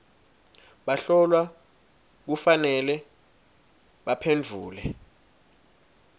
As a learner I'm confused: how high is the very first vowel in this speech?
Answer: low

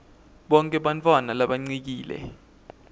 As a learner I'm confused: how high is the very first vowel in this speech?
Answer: mid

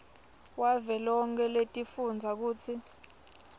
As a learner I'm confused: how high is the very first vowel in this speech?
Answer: low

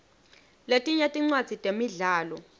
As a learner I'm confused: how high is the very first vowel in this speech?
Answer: mid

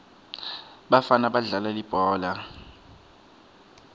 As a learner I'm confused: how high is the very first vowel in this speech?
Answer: low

